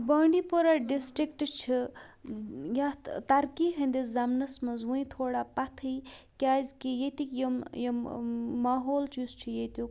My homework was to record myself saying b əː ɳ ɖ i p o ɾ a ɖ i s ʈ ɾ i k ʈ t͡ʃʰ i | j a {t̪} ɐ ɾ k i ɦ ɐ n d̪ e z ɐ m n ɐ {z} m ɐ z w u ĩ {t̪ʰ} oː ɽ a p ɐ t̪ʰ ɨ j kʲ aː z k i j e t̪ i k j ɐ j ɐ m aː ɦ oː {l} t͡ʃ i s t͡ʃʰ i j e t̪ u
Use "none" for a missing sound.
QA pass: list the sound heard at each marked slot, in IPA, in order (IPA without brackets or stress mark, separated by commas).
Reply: t̪, s, t̪ʰ, l